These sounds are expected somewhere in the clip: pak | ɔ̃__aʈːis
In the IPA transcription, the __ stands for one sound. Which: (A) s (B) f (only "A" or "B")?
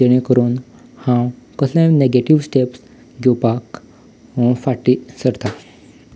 B